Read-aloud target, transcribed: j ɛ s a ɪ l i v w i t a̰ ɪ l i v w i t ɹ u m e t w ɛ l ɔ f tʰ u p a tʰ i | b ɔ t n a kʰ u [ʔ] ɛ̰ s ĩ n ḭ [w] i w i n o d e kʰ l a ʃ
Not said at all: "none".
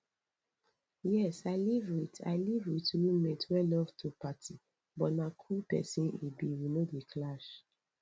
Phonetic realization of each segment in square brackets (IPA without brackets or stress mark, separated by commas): p, b